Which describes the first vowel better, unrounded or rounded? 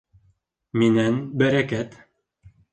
unrounded